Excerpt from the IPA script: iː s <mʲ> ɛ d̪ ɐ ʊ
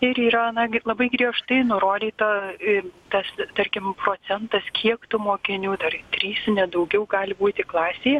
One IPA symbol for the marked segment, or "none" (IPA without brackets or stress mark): nʲ